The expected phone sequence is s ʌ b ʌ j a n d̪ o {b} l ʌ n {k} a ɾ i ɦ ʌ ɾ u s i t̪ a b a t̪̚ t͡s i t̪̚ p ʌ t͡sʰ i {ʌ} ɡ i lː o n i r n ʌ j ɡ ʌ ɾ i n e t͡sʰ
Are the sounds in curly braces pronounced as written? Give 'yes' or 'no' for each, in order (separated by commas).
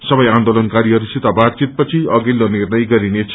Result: no, yes, yes